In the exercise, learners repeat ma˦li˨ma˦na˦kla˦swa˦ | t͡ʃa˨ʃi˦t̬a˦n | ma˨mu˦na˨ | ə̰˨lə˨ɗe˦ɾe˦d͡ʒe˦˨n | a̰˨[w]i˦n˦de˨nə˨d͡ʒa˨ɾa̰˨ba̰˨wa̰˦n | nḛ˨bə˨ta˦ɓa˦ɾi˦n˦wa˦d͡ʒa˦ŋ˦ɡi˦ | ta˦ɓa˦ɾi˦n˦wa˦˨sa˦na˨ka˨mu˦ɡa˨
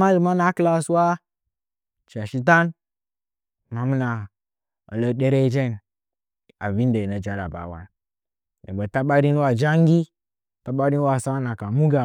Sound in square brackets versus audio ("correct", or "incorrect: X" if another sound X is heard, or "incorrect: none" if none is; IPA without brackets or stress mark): incorrect: v